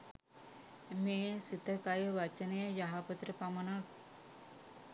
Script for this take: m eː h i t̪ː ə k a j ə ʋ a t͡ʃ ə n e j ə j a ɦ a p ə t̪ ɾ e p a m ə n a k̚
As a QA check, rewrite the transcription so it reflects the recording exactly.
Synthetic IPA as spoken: m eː s i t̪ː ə k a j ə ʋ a t͡ʃ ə n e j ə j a ɦ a p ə t̪ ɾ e p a m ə n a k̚

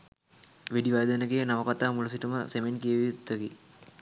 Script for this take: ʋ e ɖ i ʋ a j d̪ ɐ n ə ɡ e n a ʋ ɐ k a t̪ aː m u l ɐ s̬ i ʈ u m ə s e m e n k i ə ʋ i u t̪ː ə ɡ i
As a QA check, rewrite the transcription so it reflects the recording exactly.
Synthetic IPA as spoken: ʋ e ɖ i ʋ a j d̪ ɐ n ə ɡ e n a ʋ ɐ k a t̪ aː m u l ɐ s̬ i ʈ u m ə s e m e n k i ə ʋ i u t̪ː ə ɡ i

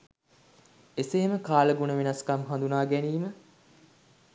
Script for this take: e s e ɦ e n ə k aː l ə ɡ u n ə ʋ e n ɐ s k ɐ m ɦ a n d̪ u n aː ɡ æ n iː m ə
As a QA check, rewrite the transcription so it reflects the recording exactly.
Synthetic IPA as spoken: e s e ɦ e m ə k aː l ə ɡ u n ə ʋ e n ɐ s k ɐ m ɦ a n d̪ u n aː ɡ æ n iː m ə

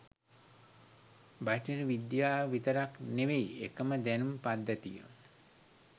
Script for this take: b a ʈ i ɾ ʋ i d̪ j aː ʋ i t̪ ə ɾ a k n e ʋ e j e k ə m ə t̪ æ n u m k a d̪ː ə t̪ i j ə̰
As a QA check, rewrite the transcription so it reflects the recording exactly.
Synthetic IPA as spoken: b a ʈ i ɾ ʋ i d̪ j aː ʋ i t̪ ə ɾ a k n e ʋ e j e k ə m ə d̪ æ n u m p a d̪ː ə t̪ i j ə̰

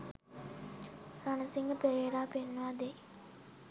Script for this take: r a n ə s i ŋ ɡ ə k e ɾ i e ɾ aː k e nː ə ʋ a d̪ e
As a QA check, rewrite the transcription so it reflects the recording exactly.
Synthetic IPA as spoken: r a n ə s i ŋ ɡ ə p e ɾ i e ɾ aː p e nː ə ʋ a d̪ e

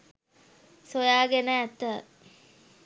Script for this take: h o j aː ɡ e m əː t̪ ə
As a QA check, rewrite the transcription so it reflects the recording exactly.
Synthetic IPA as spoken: s o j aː ɡ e n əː t̪ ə

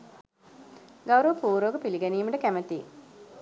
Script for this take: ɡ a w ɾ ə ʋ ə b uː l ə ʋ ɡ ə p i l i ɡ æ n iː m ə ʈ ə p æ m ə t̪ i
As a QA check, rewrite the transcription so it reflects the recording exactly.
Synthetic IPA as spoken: ɡ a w ɾ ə ʋ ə p uː ɾ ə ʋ ɡ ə p i l i ɡ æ n iː m ə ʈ ə k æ m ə t̪ i

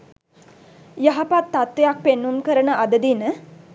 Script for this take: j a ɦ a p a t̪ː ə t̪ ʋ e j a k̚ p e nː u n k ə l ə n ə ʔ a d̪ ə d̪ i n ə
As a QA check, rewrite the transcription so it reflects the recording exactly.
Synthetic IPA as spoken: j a ɦ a p a t̪ː a t̪ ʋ e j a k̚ p e nː u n k ə ɾ ə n ə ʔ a d̪ ə d̪ i n ə

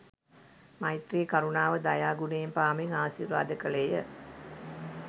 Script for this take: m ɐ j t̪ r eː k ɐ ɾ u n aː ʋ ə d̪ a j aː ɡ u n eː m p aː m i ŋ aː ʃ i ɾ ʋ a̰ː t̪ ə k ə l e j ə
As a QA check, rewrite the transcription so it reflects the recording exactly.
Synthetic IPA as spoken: m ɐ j t̪ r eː k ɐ ɾ u n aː ʋ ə d̪ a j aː ɡ u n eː m p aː m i ŋ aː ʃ i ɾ ʋ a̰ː d̪ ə k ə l e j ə

